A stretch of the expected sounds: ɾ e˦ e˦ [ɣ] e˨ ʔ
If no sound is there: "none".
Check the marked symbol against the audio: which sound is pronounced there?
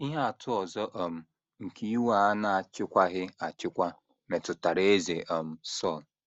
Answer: z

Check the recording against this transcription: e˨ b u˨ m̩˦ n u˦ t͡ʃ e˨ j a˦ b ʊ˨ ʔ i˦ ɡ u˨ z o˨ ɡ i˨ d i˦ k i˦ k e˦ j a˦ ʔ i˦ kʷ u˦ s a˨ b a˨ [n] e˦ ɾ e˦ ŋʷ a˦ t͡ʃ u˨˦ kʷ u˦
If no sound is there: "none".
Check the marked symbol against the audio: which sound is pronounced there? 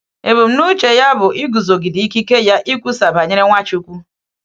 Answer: ɲ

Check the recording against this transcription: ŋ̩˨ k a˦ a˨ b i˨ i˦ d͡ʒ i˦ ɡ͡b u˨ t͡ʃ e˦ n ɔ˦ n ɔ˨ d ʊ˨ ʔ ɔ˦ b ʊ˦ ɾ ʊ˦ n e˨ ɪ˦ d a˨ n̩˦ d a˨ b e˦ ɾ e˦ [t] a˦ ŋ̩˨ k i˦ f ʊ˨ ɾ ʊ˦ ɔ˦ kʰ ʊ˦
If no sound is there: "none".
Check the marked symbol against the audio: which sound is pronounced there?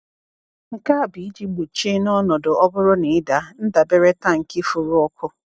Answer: t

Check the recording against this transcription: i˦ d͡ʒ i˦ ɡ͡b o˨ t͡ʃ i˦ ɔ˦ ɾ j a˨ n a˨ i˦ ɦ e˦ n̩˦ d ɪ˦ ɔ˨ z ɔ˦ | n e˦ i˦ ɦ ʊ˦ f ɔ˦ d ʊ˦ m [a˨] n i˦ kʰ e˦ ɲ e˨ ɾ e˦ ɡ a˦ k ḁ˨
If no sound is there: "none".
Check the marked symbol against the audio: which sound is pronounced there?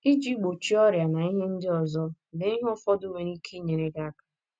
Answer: e˨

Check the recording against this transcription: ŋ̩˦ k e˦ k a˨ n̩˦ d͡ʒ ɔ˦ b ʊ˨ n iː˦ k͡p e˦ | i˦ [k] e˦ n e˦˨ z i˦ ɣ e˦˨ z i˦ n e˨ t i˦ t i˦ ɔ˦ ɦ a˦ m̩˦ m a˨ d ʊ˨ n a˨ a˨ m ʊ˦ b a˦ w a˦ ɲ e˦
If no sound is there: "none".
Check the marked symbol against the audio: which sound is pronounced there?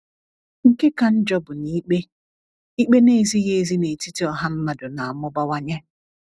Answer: k͡p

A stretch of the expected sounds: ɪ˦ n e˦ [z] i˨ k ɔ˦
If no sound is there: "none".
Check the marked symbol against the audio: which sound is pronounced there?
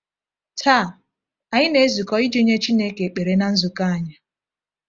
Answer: z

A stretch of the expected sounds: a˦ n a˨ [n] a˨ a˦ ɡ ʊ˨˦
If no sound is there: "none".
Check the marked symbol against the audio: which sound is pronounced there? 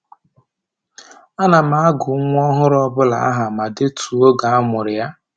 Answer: m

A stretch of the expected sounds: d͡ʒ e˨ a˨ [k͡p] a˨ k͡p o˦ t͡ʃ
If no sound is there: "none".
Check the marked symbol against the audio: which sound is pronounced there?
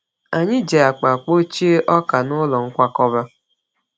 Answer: k͡p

